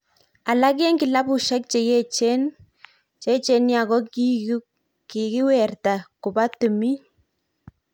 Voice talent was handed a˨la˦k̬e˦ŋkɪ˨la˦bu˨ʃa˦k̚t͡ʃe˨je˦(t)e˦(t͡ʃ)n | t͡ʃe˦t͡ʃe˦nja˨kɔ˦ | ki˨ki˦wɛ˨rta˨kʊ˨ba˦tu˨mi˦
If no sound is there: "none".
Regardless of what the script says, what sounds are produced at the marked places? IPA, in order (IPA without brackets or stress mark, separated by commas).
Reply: t͡ʃ, none